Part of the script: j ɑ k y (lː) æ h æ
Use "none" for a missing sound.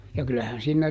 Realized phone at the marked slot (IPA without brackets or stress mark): l